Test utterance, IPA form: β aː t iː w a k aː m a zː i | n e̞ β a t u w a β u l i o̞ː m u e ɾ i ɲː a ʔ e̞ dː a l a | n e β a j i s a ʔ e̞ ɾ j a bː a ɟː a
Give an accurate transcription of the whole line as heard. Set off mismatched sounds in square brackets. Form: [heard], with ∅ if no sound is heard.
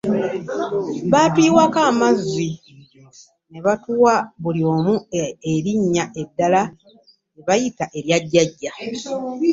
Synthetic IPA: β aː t iː w a k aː m a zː i | n e̞ β a t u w a β u l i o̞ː m u e ɾ i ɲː a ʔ e̞ dː a l a | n e β a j i [t] a ʔ e̞ ɾ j a [ɟː] a ɟː a